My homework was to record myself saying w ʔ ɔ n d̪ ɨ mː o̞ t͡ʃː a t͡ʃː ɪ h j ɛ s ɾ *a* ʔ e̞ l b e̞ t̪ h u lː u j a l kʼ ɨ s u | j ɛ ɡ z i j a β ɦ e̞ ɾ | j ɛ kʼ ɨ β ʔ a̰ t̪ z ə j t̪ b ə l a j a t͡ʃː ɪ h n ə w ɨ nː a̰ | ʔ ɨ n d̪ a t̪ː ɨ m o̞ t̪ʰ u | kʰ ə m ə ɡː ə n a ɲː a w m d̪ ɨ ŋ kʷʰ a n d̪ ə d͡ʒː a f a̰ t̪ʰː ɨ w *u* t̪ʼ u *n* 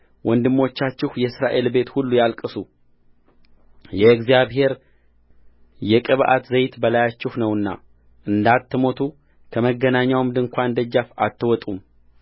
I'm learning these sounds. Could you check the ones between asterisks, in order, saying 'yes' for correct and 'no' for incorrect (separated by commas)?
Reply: yes, no, no